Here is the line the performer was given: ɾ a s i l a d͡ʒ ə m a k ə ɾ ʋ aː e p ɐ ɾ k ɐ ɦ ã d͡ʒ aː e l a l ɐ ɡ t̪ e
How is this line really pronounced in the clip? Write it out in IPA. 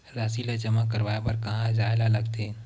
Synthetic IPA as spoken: ɾ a s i l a d͡ʒ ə m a k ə ɾ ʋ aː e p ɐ ɾ k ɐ ɦ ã d͡ʒ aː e l a l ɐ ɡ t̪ e